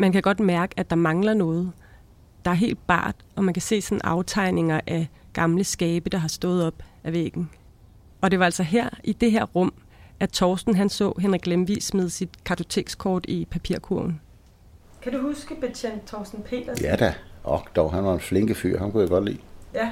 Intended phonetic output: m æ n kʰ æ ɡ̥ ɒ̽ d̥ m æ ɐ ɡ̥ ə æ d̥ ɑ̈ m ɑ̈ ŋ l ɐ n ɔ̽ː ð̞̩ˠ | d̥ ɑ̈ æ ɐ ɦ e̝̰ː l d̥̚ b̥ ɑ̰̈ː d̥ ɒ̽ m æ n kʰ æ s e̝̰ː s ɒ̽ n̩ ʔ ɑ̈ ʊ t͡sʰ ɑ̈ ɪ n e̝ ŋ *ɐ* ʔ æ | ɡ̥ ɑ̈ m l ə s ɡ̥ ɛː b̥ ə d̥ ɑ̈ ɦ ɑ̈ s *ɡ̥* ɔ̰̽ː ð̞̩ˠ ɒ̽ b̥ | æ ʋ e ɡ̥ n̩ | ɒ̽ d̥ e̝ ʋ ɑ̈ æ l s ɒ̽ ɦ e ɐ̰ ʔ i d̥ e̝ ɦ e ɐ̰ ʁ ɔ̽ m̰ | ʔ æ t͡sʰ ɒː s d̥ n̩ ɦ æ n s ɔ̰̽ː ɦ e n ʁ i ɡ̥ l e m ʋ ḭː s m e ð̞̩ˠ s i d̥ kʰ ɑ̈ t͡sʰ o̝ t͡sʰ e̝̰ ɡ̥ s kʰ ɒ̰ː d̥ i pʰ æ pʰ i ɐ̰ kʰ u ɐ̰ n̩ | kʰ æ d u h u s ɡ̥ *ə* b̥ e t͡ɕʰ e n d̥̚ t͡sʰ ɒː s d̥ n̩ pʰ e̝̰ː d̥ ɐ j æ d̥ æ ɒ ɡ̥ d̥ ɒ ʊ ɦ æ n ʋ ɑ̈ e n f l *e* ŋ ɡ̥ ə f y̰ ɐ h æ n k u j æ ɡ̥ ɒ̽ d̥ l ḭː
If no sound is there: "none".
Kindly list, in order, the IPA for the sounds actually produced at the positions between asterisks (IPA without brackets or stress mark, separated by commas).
ɐ, d̥, ə, e